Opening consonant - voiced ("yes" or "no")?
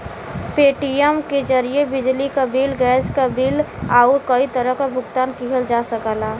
no